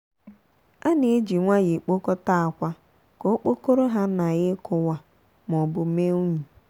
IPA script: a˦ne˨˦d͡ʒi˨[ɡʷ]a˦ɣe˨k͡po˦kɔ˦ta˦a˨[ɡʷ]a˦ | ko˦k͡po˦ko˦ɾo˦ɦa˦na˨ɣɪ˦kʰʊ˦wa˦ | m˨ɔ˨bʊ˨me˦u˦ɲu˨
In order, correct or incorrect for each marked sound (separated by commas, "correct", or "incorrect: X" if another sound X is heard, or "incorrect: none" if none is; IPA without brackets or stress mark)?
incorrect: ŋʷ, incorrect: kʷ